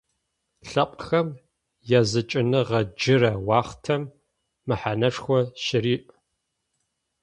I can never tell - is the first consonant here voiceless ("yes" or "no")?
yes